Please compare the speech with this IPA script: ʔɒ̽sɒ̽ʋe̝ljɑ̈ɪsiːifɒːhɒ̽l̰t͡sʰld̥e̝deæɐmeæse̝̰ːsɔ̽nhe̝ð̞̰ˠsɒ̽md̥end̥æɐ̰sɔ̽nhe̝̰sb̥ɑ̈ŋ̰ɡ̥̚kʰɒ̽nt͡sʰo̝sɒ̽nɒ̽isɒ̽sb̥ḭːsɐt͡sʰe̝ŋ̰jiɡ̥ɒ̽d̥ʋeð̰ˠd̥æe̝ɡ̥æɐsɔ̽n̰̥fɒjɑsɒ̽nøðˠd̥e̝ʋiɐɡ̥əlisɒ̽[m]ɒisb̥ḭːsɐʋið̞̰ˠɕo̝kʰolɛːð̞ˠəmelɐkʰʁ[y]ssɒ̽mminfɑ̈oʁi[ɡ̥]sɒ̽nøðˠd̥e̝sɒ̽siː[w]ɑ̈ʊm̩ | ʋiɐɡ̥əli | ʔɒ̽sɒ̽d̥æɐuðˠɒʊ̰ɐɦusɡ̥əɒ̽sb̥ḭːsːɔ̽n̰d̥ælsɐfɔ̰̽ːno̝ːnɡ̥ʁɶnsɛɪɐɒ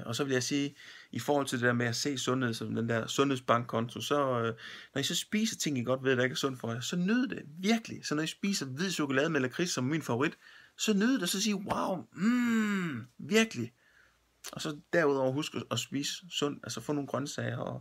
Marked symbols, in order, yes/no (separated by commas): no, no, no, yes